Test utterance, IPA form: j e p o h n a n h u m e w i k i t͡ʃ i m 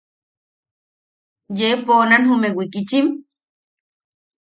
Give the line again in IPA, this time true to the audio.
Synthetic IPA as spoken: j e p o n a n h u m e w i k i t͡ʃ i m